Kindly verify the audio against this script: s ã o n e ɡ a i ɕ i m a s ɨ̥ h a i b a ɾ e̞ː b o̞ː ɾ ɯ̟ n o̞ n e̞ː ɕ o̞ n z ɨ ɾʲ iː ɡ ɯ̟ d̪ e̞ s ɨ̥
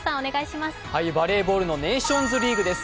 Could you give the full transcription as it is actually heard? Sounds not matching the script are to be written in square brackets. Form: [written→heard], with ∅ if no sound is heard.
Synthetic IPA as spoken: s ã o n e ɡ a i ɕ i m a s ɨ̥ h a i b a ɾ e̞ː b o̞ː ɾ ɯ̟ n o̞ n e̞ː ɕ [o̞→õ̞] n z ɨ ɾʲ iː ɡ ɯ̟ d̪ e̞ s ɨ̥